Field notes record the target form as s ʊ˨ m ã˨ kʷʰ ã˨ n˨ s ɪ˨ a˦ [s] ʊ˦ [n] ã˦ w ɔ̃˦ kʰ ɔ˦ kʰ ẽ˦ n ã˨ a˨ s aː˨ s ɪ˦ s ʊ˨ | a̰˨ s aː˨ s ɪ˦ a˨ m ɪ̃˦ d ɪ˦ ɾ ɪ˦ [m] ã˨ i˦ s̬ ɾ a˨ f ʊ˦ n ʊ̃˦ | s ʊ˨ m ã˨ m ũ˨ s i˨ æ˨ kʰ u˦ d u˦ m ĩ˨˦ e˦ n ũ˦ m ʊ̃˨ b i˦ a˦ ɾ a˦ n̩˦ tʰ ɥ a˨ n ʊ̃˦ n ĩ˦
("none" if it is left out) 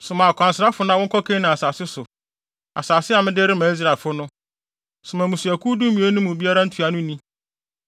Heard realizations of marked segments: f, n, m

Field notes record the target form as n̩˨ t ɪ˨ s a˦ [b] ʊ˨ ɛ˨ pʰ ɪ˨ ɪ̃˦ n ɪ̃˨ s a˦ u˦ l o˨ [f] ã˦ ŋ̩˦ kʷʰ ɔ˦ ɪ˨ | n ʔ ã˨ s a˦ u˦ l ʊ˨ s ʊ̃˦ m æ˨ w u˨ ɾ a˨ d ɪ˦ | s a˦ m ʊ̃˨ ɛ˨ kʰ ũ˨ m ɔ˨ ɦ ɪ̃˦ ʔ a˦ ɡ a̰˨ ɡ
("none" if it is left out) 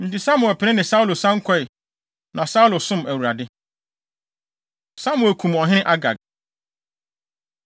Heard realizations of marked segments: m, s

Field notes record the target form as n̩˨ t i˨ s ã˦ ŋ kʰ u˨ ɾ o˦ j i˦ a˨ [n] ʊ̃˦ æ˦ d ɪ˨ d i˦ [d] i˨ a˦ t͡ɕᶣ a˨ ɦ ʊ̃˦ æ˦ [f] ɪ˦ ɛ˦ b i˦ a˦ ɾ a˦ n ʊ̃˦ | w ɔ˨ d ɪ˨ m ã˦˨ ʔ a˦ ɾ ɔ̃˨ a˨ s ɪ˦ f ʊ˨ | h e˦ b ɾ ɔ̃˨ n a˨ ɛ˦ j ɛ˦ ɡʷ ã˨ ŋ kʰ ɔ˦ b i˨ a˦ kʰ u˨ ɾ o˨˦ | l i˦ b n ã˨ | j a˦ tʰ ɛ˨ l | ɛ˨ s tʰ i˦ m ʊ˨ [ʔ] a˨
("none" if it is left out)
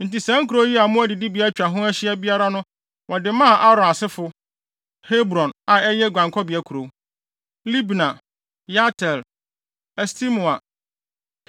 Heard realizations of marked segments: m, b, ɕ, none

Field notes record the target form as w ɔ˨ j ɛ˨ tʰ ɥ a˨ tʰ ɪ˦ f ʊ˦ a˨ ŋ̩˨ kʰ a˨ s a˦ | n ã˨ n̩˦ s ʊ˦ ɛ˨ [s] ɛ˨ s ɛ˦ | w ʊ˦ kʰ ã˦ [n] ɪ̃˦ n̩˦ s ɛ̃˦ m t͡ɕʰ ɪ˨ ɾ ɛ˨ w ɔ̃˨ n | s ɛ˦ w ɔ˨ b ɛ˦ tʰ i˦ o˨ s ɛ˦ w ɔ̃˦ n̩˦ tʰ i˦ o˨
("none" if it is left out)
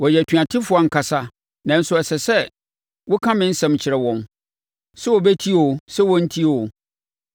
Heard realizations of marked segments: s, m

